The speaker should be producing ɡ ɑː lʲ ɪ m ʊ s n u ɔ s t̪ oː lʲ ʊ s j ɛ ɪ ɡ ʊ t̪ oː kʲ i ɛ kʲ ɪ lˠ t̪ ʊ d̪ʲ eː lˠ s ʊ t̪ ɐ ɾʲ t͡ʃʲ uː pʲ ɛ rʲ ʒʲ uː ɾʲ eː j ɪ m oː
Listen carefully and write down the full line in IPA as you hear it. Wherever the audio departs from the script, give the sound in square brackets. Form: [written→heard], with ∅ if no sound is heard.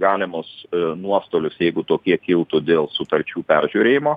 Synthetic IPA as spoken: ɡ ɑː lʲ ɪ m ʊ s n u ɔ s t̪ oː lʲ ʊ s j ɛ ɪ ɡ ʊ t̪ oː kʲ i ɛ kʲ ɪ lˠ t̪ ʊ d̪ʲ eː lˠ s ʊ t̪ ɐ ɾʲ t͡ʃʲ uː pʲ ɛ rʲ ʒʲ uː ɾʲ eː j ɪ m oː